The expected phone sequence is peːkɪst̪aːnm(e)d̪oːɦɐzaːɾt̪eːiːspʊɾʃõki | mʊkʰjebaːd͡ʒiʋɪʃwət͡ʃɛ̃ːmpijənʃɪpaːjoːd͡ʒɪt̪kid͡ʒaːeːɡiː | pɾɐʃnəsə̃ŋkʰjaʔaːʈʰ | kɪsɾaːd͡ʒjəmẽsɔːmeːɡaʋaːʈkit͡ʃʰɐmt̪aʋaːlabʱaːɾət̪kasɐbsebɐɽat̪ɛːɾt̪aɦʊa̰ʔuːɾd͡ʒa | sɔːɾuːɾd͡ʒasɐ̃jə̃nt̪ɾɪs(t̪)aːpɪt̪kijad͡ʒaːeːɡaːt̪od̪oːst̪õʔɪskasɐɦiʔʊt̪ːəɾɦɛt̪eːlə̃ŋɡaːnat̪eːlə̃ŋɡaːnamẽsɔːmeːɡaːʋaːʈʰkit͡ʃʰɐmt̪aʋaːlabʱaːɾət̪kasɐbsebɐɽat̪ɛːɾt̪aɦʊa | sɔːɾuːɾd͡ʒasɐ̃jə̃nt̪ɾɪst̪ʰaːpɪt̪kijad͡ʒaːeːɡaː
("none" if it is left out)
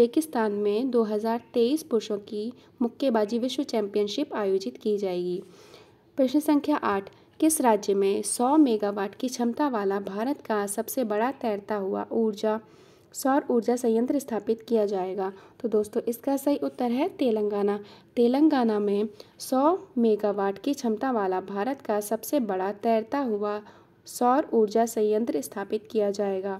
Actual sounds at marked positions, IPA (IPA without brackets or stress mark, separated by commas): ẽ, t̪ʰ